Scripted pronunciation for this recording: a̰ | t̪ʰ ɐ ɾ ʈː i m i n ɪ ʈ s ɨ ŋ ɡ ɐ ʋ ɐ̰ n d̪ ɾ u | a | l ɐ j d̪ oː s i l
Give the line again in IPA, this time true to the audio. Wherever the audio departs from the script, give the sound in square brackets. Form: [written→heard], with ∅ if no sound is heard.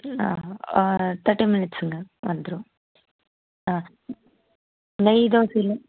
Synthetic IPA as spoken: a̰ | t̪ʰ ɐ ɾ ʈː i m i n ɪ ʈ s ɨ ŋ ɡ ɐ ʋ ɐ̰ n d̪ ɾ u | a | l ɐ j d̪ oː s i l